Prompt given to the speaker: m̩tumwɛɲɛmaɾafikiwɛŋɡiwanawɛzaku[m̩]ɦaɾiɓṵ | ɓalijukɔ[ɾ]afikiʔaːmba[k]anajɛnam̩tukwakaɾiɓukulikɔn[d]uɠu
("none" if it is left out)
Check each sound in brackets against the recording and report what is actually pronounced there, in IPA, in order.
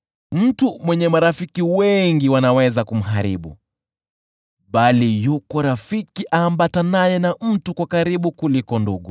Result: m̩, ɾ, t, d

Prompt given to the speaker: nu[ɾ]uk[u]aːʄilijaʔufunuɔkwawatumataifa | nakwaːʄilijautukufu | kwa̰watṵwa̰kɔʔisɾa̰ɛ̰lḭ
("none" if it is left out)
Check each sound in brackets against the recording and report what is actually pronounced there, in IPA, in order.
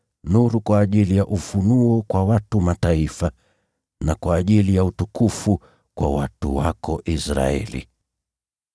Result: ɾ, w

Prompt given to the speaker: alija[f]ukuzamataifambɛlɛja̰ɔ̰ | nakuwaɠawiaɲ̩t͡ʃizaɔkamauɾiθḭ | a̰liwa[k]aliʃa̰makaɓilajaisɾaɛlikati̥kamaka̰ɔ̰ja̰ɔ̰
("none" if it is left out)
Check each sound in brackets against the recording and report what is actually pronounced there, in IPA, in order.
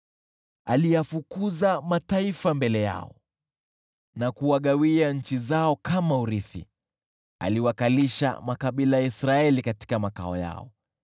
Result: f, k

